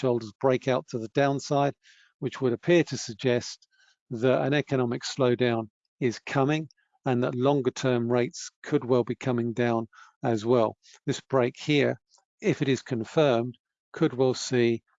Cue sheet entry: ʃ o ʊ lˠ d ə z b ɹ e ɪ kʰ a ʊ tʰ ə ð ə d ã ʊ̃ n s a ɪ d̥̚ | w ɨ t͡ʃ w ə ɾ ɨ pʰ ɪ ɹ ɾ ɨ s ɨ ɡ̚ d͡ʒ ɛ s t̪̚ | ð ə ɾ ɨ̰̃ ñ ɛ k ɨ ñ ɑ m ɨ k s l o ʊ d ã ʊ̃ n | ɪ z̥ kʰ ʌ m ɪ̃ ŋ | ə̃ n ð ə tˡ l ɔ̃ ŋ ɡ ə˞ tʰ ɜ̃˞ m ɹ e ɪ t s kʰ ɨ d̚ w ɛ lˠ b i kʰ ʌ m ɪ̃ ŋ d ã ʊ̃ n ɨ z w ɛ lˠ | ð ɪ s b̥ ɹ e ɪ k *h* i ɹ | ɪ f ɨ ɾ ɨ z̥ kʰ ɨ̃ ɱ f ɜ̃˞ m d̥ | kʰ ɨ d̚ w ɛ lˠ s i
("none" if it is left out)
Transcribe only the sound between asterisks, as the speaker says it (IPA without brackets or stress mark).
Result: h